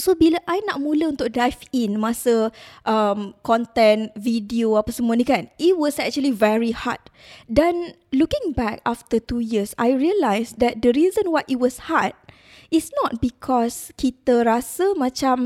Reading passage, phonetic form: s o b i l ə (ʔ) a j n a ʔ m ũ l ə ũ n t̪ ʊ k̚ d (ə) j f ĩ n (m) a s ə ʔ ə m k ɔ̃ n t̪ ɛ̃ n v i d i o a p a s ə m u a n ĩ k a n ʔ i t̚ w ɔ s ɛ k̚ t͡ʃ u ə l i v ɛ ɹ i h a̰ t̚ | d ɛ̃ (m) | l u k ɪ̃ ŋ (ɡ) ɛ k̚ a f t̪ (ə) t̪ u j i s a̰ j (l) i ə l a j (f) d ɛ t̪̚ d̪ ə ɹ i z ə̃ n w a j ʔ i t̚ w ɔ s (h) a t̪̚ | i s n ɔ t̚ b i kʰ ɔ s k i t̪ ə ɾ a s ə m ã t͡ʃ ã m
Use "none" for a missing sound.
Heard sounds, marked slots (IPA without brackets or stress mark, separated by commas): ʔ, a, m, n, b, ə, ɹ, s, h